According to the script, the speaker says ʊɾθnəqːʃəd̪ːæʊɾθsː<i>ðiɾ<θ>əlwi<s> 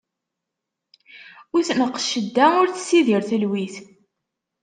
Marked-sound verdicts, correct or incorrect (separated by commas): correct, correct, incorrect